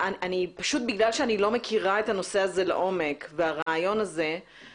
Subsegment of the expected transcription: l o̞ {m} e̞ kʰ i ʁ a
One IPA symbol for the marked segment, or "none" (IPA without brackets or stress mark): m